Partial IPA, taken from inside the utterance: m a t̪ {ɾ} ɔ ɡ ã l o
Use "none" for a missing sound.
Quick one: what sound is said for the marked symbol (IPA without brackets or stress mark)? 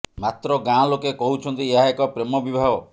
ɾ